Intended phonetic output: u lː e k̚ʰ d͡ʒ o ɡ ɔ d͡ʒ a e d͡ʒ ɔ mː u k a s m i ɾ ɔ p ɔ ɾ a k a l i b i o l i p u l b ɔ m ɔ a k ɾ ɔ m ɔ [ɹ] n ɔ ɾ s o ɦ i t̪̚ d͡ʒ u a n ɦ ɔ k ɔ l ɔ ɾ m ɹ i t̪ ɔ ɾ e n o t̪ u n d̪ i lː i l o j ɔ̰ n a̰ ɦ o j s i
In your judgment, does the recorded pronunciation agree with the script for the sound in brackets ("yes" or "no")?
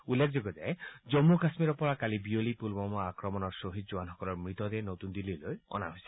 no